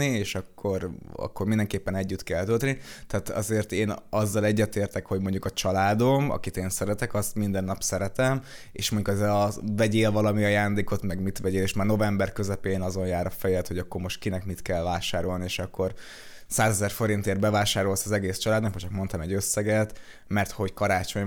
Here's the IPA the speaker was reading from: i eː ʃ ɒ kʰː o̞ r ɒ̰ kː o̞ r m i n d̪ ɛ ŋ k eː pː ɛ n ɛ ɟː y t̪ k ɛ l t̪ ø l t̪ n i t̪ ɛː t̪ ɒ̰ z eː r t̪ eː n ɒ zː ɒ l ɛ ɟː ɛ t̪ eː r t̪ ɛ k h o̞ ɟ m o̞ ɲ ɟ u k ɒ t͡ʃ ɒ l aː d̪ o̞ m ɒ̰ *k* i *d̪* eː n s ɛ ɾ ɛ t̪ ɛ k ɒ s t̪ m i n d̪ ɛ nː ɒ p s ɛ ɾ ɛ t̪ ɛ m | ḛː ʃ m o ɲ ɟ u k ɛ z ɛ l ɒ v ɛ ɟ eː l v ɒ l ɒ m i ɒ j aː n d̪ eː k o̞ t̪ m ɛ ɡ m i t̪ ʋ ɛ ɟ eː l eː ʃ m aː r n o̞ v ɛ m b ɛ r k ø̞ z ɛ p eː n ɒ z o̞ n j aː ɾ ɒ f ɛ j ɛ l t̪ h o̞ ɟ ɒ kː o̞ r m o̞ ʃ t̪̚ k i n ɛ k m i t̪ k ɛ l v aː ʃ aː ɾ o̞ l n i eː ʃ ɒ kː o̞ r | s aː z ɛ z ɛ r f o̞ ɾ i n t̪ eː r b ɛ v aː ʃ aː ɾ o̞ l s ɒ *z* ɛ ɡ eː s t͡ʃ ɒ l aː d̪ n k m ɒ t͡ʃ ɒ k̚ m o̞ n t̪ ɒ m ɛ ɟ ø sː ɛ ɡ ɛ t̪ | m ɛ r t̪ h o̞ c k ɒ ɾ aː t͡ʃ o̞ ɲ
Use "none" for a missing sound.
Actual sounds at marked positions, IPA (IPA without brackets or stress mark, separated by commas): k, t̪, z